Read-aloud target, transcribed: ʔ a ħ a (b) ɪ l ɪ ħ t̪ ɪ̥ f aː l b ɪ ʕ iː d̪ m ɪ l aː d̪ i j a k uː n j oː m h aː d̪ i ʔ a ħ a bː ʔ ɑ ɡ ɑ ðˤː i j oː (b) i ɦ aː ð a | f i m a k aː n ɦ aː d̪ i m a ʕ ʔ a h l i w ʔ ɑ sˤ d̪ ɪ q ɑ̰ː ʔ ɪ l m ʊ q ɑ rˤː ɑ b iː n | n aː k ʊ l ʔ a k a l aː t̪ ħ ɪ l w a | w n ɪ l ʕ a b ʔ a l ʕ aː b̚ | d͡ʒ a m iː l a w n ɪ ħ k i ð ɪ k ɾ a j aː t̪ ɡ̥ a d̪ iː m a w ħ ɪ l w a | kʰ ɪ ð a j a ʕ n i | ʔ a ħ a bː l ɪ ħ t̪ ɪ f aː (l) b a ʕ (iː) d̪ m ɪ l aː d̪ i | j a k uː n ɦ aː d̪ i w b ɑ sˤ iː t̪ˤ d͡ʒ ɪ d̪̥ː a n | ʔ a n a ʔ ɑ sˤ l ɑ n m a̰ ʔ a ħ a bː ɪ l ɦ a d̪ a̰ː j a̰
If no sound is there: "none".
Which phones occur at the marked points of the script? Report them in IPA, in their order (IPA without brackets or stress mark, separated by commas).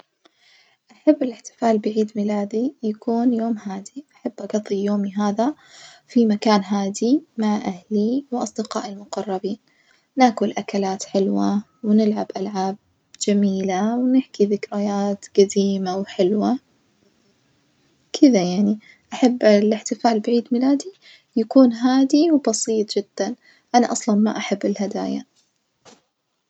bː, m, l, iː